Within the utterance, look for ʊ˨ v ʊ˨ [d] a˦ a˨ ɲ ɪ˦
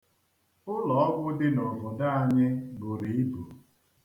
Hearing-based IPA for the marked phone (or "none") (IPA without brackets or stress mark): d